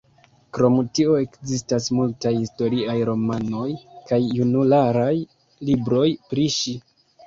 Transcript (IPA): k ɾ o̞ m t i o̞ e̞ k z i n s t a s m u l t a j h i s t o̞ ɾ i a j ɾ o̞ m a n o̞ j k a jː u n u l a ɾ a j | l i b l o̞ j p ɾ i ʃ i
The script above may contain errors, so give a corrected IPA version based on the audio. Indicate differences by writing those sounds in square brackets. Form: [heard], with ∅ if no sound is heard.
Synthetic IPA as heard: k ɾ o̞ m t i o̞ e̞ k z i [∅] s t a s m u l t a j h i s t o̞ ɾ i a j ɾ o̞ m a n o̞ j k a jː u n u l a ɾ a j | l i b [ɾ] o̞ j p ɾ i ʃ i